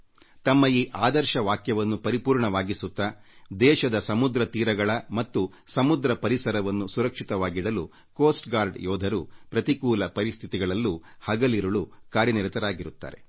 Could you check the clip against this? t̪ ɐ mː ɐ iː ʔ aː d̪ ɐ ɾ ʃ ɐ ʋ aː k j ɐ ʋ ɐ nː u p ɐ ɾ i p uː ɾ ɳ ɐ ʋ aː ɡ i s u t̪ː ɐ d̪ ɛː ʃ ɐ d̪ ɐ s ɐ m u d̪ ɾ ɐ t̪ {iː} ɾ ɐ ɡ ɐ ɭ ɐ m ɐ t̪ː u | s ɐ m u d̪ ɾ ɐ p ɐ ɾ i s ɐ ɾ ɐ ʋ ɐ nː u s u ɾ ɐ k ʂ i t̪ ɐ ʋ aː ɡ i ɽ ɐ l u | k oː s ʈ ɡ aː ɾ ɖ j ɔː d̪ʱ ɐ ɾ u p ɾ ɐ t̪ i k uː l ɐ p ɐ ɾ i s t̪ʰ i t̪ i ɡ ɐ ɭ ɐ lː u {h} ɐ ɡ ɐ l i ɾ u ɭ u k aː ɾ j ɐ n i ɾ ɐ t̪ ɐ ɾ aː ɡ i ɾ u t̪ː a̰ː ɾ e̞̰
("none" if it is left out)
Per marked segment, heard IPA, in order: iː, h

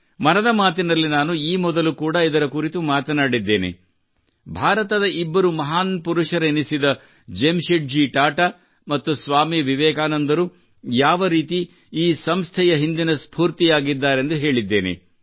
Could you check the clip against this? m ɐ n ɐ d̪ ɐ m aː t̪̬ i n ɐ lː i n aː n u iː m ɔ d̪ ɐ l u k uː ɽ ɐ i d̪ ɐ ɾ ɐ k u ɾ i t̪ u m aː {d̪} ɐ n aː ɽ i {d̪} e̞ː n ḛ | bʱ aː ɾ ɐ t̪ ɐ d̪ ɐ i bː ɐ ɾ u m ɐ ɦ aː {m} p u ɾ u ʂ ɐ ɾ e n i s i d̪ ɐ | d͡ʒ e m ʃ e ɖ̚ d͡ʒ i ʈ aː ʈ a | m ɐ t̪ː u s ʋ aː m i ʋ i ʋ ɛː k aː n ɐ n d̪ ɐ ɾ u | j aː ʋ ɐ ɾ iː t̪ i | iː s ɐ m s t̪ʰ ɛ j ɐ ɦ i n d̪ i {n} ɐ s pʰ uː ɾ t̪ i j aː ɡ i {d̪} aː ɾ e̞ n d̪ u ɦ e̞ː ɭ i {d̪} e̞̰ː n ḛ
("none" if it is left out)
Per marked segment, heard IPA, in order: t̪, d̪ː, n, n, d̪ː, d̪ː

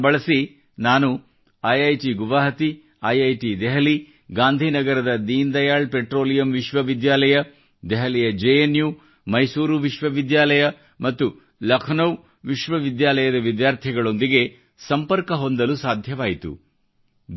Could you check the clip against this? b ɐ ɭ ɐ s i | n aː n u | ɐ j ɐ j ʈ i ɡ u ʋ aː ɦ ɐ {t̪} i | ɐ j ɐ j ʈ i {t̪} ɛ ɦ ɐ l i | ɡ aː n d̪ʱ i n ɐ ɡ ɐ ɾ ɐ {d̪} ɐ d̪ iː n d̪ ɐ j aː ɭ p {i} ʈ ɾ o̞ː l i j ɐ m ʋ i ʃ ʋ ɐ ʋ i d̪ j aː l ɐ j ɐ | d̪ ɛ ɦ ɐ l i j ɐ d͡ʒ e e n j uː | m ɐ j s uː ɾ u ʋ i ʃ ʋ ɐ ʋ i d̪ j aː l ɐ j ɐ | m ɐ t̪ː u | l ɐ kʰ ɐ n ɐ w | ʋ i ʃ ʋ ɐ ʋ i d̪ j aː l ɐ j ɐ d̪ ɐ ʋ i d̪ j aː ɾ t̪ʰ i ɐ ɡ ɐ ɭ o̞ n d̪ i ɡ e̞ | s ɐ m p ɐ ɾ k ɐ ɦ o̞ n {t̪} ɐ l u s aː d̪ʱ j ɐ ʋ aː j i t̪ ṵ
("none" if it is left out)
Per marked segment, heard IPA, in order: t̪, d̪, d̪, e, d̪

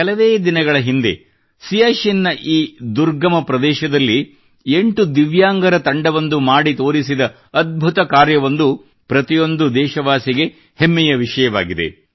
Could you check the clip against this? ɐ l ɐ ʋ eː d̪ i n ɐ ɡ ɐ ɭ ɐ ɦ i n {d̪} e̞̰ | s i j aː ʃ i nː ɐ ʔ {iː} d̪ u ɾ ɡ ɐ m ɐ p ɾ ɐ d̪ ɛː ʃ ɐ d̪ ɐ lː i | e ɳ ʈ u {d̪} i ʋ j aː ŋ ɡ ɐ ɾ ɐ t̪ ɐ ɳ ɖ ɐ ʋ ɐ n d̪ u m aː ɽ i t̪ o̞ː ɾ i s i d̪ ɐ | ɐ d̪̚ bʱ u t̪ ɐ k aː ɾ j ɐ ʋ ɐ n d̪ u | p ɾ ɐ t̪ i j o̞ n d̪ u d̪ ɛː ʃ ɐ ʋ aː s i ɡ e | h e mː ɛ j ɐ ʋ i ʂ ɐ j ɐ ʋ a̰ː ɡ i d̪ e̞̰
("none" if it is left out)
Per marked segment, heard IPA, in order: d̪, iː, d̪

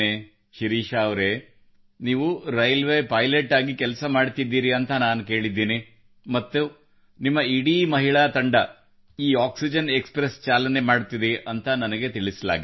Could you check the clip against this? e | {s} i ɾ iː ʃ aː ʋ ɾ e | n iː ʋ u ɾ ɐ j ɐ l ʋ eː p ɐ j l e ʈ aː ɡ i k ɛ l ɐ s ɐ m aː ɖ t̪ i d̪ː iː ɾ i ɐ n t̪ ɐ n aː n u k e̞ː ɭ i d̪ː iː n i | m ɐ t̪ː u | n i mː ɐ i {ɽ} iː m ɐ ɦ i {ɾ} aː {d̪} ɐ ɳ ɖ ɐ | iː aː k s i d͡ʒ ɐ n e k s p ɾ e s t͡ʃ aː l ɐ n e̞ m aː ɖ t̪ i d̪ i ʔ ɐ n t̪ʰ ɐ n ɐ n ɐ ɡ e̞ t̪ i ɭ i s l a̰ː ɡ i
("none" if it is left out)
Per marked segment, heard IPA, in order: ʃ, ɽ, ɭ, t̪

